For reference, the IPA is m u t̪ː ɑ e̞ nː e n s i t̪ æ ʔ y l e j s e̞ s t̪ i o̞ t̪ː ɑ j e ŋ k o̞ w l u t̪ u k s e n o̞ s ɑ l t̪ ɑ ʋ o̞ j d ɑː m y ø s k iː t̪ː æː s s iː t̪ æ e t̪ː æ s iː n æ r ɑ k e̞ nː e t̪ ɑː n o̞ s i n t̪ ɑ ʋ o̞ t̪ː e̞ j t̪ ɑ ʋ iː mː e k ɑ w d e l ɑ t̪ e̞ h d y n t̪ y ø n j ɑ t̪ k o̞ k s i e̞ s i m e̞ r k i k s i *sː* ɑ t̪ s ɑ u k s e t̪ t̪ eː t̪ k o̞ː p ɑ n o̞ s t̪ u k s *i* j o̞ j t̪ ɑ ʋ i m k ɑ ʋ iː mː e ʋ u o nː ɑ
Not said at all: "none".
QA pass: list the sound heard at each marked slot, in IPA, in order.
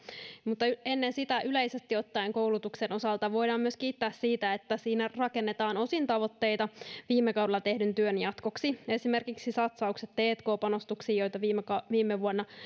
s, iː

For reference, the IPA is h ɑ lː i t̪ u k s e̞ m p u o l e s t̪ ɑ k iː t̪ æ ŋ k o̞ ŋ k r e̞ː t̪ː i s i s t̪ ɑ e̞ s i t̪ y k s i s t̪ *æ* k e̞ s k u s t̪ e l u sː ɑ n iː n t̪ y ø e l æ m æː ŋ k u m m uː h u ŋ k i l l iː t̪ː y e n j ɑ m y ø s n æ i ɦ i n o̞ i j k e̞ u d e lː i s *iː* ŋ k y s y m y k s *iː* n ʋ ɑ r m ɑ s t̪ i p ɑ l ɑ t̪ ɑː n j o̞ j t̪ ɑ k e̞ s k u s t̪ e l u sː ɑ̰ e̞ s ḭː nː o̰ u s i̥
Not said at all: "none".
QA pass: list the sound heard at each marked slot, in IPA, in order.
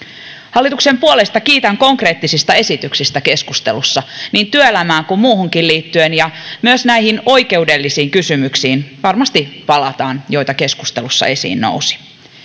æ, iː, iː

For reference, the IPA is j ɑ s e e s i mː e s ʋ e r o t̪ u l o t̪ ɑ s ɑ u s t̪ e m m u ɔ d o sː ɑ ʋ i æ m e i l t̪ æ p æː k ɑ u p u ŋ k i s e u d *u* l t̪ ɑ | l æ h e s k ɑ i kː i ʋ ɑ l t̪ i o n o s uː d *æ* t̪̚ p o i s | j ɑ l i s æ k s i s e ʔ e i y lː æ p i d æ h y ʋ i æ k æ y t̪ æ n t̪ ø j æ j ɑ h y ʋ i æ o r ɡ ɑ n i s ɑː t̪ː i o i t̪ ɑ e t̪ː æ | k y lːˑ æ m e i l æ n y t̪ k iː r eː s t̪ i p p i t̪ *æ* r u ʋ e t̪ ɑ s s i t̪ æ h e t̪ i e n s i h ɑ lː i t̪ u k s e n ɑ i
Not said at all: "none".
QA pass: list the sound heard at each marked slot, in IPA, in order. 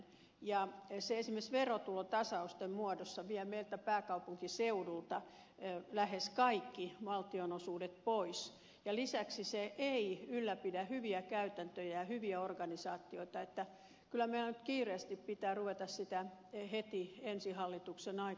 u, e, æː

